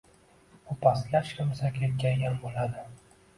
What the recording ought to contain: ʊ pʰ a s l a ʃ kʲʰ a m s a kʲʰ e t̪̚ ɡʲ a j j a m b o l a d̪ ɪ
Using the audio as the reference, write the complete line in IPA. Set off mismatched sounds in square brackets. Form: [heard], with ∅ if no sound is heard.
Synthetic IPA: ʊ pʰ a s l a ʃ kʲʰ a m s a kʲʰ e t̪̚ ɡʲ a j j a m b o l a d̪ ɪ